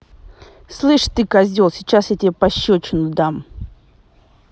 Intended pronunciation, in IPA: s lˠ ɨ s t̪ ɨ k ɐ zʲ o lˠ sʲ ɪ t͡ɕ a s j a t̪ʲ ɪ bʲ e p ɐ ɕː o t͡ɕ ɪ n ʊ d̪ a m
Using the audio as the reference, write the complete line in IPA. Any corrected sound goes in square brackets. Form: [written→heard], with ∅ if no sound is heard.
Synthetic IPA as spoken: s lˠ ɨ [s→ʂ] t̪ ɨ k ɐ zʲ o lˠ sʲ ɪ t͡ɕ a s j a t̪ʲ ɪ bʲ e p ɐ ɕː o t͡ɕ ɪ n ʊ d̪ a m